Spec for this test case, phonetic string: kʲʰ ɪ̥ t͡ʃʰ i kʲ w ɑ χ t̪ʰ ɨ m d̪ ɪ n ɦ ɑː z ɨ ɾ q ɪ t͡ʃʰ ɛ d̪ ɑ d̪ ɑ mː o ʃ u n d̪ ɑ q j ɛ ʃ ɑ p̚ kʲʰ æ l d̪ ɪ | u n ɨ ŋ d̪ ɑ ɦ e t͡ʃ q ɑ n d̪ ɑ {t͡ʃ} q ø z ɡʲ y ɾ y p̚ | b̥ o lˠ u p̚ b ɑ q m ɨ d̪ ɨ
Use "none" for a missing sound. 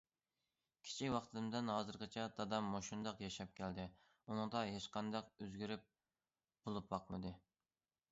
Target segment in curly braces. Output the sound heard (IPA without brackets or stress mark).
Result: none